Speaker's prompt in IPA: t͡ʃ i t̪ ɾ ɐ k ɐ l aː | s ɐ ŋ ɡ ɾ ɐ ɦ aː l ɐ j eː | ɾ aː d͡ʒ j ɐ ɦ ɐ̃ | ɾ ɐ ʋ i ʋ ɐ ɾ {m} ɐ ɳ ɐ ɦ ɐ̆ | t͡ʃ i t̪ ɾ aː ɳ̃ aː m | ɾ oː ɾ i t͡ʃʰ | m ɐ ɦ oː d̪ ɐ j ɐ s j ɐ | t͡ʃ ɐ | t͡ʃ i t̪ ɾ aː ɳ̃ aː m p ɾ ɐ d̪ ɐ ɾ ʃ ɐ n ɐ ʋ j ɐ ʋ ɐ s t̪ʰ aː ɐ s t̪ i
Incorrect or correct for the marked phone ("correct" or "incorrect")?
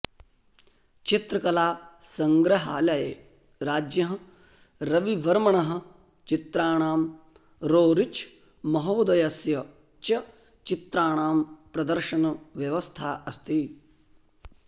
correct